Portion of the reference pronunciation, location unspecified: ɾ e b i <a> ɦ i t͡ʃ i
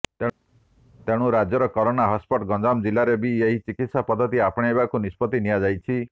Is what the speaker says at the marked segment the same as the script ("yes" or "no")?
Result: no